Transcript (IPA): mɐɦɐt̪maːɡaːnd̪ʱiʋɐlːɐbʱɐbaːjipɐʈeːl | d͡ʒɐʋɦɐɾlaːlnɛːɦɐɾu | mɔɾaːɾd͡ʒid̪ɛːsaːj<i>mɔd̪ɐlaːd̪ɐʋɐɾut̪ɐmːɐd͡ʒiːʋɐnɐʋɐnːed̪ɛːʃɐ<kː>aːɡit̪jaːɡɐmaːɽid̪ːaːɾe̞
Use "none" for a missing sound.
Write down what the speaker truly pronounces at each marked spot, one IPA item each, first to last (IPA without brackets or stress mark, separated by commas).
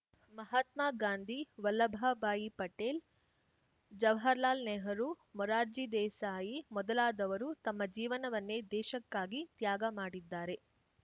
i, kː